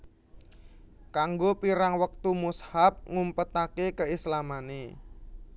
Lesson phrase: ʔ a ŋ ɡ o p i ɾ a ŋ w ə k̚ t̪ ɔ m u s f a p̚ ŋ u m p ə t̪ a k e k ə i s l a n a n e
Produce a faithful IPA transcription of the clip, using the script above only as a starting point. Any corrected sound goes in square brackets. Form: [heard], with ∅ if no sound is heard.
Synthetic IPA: [k] a ŋ ɡ o p i ɾ a ŋ w ə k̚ t̪ [u] m u s [h] a p̚ ŋ u m p ə t̪ a k e k ə i s l a [m] a n e